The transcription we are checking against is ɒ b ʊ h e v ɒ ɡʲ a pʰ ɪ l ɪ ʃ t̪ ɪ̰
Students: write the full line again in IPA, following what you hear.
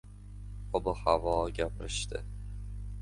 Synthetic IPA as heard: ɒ b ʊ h a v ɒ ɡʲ a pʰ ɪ ɾ ɪ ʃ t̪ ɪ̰